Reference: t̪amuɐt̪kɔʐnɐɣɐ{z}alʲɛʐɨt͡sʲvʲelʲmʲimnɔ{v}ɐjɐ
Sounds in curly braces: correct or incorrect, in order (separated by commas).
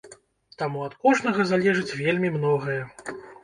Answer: correct, incorrect